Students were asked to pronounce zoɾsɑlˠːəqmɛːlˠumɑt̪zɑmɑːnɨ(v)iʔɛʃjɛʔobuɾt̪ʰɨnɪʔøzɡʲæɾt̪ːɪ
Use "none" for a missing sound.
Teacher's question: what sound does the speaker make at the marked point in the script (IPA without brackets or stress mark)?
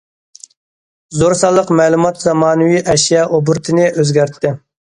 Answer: w